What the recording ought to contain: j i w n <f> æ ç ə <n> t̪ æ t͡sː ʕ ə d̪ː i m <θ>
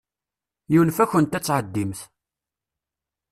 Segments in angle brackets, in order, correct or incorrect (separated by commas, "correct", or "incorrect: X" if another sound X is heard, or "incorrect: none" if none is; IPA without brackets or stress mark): correct, correct, correct